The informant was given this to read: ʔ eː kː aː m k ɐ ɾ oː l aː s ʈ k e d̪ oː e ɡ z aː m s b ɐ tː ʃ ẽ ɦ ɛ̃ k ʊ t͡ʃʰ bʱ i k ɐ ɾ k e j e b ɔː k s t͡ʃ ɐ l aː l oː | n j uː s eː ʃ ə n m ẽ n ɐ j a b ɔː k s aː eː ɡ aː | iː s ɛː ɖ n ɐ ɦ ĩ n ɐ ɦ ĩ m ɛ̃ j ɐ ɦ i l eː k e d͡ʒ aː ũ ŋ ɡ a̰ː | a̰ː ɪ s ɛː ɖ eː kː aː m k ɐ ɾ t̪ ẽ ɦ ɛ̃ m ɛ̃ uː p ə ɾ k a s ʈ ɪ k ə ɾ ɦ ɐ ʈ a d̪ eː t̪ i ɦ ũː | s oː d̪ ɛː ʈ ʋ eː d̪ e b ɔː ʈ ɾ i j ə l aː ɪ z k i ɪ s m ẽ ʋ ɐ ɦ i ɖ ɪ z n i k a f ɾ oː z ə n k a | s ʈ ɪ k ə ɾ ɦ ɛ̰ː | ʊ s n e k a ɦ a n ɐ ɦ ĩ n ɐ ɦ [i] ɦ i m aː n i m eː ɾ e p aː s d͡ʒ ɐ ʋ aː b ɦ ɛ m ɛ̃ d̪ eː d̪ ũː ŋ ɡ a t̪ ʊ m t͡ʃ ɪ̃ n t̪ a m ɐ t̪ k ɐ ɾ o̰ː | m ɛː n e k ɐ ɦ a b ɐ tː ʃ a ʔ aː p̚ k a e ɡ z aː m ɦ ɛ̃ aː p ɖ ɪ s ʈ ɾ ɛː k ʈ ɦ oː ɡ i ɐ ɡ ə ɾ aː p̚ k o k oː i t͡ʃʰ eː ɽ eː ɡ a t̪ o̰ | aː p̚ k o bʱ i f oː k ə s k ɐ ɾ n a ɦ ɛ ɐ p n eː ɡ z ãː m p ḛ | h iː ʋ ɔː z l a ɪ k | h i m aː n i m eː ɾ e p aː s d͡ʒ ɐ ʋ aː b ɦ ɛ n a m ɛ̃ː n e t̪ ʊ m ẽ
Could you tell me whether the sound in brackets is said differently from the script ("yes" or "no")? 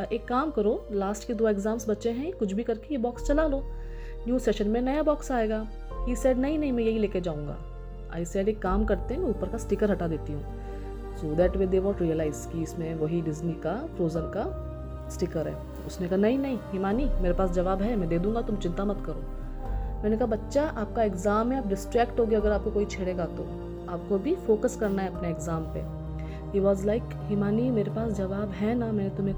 yes